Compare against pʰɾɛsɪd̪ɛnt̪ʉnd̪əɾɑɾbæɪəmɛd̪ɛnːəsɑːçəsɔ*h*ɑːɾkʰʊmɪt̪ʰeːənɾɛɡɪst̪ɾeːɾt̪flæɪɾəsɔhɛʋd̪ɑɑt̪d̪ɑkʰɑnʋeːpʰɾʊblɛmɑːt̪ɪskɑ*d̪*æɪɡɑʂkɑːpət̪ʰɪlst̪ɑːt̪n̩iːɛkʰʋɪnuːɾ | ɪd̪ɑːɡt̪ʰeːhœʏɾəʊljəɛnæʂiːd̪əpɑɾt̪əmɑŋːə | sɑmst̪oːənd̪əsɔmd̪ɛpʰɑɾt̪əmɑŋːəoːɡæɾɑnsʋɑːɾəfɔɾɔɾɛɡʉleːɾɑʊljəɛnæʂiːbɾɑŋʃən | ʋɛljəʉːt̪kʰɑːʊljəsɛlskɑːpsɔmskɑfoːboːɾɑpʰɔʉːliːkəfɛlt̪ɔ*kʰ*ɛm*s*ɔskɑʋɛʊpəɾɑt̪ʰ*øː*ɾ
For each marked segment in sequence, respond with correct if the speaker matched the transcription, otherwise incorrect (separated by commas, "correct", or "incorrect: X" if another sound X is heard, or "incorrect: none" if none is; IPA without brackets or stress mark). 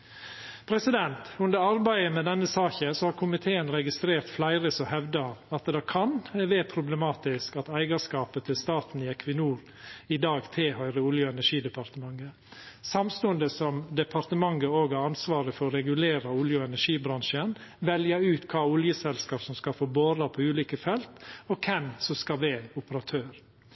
correct, incorrect: t̪, correct, correct, correct